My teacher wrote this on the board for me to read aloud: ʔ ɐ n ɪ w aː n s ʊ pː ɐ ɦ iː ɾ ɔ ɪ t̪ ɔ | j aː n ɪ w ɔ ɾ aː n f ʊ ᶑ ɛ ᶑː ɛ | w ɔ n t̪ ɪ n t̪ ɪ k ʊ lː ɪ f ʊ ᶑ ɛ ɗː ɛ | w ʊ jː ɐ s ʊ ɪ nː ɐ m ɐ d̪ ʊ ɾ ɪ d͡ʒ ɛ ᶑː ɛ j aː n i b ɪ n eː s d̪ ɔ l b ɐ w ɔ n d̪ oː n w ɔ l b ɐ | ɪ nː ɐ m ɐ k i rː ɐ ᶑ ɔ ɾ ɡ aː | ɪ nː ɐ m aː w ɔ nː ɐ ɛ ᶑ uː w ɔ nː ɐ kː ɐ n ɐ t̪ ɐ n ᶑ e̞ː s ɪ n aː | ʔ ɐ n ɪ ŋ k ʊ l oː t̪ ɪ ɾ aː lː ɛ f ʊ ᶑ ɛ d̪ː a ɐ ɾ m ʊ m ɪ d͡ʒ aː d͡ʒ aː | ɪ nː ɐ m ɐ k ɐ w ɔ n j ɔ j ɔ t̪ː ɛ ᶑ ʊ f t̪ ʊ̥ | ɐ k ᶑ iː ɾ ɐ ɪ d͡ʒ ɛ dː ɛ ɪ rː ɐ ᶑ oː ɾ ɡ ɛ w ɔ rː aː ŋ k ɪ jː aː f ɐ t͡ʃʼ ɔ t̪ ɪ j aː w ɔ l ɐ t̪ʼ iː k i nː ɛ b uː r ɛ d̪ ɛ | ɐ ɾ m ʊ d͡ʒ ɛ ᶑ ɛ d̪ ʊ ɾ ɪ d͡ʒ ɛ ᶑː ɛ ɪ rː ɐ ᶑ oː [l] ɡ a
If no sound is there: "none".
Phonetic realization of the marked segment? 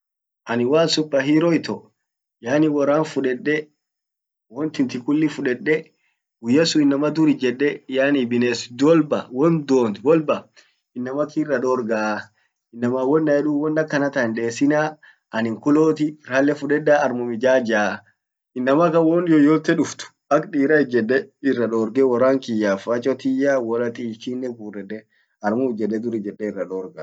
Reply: ɾ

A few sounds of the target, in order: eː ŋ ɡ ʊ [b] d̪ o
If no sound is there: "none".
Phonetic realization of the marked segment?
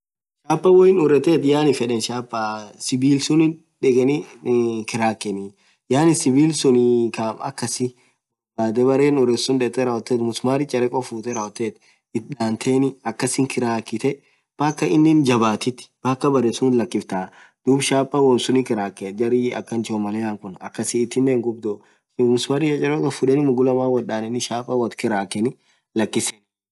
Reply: b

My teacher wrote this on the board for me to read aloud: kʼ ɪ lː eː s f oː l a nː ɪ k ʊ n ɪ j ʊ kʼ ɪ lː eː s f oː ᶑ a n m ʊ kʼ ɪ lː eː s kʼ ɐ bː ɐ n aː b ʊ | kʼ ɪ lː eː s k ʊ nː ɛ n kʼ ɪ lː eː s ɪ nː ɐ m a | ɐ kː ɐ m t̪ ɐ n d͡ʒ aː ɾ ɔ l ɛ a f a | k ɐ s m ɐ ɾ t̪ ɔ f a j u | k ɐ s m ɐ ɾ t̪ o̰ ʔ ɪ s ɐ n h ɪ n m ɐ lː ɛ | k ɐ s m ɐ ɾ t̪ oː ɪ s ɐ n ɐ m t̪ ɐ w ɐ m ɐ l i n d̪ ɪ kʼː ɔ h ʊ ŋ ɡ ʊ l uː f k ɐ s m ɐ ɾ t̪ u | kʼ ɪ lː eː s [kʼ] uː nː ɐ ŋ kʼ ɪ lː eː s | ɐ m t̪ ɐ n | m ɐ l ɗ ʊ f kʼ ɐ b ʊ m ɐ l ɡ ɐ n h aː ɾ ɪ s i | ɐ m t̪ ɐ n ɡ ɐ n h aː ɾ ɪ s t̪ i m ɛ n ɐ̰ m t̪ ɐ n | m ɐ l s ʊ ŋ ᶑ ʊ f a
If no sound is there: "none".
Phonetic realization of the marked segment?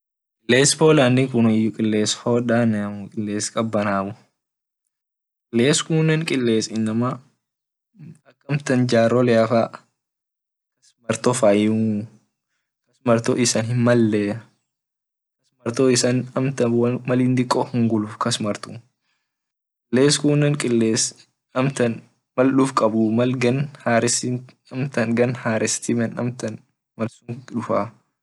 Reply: k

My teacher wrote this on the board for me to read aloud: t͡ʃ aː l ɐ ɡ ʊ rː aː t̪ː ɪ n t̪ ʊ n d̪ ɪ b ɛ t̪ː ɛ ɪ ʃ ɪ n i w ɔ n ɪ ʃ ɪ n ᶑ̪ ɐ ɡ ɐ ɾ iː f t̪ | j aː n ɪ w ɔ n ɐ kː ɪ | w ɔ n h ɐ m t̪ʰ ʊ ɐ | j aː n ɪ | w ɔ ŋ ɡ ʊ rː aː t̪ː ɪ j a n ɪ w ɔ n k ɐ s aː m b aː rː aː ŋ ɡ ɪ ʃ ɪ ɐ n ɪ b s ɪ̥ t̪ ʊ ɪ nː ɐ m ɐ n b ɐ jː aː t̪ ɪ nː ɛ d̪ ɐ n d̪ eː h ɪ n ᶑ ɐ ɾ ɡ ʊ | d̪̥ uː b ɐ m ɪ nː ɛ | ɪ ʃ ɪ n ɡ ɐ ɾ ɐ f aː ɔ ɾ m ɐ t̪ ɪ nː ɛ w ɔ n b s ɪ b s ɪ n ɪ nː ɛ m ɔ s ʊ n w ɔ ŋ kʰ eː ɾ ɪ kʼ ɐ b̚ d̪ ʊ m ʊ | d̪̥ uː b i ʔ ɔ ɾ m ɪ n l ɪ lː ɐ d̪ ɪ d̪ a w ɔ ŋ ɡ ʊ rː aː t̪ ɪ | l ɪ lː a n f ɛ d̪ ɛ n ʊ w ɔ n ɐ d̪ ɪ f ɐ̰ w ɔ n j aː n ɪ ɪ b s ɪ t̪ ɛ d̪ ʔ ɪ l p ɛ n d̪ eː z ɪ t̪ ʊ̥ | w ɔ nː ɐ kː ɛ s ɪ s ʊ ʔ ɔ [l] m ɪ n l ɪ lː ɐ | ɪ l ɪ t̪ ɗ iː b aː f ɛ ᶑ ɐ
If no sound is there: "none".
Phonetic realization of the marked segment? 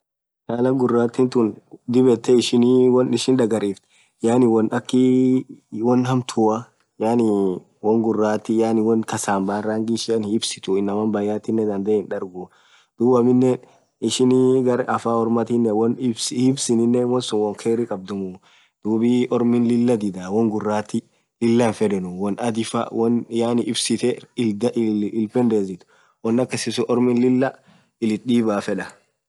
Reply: ɾ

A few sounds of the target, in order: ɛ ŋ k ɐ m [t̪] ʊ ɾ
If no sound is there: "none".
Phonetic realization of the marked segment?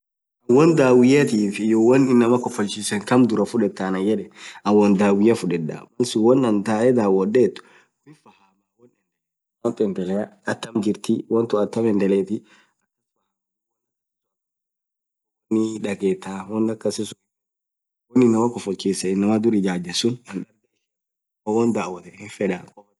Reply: d̪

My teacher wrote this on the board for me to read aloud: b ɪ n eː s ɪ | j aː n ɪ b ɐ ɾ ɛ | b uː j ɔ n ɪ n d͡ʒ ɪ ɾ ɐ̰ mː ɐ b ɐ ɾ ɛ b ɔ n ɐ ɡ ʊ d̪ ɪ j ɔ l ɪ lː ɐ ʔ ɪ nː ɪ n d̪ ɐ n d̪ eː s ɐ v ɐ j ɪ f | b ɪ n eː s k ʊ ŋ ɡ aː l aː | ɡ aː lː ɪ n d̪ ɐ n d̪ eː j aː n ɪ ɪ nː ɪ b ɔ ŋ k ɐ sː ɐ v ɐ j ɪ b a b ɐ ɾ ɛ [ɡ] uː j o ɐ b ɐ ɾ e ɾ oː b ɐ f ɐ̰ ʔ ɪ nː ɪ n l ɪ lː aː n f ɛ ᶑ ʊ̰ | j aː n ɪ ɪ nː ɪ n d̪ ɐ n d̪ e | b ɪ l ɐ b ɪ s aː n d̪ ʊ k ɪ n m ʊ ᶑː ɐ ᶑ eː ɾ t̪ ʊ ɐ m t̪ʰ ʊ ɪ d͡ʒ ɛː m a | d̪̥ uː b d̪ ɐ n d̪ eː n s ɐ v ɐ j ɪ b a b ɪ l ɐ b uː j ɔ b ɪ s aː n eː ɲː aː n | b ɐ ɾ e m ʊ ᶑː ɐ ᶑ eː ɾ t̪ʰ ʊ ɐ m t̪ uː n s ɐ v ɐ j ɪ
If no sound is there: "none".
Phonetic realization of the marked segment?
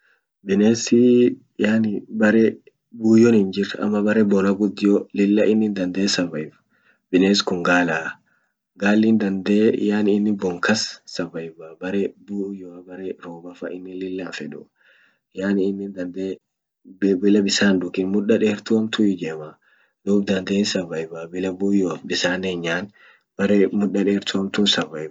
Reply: b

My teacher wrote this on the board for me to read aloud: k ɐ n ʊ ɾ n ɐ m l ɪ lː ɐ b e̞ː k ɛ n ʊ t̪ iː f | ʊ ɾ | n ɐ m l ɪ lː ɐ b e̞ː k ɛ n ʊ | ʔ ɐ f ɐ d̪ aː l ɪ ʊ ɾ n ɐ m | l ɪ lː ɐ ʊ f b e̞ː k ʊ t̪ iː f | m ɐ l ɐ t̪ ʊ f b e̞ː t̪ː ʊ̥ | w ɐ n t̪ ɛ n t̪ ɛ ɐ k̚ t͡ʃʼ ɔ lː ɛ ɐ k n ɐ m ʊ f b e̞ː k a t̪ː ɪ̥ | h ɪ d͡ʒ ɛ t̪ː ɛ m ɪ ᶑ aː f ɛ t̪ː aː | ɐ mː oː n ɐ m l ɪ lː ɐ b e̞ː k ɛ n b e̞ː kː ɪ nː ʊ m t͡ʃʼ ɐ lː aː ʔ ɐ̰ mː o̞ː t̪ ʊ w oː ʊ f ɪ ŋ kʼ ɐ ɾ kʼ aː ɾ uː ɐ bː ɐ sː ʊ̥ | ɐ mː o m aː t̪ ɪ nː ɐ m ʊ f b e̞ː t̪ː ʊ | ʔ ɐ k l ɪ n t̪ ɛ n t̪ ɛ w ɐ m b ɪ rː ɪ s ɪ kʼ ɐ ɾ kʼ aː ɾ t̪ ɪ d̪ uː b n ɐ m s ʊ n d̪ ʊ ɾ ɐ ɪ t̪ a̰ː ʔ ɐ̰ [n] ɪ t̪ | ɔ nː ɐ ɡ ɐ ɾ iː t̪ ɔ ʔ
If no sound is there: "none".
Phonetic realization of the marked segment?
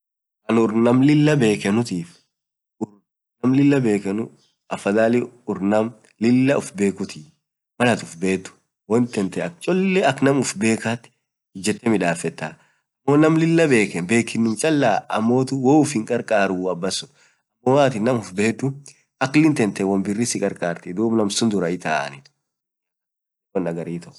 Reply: n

